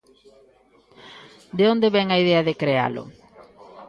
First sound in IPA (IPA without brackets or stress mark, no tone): d̪